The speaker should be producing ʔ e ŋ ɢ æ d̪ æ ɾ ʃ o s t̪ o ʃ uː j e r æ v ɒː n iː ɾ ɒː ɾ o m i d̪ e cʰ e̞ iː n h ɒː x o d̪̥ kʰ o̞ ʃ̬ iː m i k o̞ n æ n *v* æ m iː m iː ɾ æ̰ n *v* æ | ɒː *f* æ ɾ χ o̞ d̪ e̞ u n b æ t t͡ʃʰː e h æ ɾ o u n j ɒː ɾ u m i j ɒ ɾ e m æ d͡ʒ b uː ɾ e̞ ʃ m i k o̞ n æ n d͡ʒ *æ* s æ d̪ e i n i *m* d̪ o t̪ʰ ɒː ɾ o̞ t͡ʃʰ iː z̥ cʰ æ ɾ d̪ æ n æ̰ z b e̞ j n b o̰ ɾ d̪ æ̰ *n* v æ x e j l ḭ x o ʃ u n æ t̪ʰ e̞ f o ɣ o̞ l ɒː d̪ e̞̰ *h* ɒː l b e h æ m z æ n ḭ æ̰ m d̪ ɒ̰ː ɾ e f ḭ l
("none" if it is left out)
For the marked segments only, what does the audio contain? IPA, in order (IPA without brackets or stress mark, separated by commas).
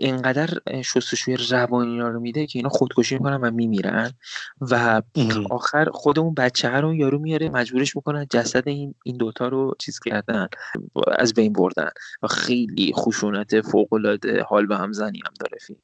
v, v, x, æ, n, n, h